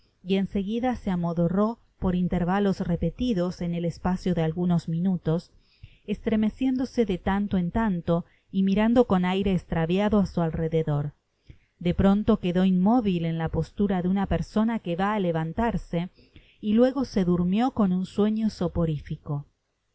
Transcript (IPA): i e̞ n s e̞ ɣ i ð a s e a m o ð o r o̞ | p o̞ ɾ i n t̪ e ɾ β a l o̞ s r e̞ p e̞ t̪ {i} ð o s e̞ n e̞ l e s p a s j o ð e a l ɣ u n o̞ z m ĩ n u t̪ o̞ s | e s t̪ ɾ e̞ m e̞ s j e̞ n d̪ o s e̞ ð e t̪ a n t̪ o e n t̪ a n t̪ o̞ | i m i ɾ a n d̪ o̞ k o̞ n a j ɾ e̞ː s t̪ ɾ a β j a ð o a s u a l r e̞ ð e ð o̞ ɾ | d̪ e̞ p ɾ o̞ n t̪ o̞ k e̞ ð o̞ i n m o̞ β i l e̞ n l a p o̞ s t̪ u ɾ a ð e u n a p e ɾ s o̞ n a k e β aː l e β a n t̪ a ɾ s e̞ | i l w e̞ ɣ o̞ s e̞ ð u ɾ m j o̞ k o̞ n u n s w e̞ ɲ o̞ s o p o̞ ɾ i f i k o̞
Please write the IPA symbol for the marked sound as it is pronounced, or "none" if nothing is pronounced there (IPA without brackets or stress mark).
i